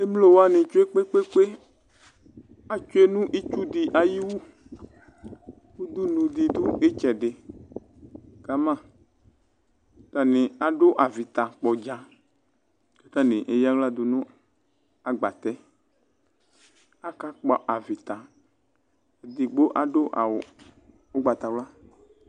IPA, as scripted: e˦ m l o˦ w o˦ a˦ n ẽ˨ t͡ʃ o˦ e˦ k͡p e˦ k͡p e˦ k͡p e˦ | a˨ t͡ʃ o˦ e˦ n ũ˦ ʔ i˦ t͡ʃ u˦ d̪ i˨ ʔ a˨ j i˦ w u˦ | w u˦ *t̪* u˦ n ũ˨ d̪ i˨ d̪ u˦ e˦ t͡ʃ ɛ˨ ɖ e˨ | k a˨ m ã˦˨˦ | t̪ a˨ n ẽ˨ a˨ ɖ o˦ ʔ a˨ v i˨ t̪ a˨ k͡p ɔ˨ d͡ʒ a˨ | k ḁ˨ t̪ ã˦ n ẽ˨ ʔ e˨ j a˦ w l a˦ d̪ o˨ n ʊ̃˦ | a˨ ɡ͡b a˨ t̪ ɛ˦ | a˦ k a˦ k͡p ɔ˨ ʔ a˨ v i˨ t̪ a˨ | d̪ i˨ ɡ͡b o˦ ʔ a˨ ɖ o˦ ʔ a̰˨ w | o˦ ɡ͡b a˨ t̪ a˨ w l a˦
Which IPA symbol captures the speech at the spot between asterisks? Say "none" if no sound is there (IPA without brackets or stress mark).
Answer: d̪